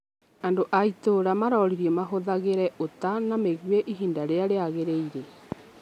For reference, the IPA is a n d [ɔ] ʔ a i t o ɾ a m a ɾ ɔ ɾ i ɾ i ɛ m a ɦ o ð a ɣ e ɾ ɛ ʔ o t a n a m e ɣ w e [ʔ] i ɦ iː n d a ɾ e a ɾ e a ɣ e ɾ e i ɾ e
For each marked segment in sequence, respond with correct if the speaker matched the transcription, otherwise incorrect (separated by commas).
incorrect, correct